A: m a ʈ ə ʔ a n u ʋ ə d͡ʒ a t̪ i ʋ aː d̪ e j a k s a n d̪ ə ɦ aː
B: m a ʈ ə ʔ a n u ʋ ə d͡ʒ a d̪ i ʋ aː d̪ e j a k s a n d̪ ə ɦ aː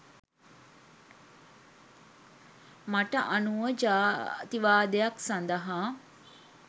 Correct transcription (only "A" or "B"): A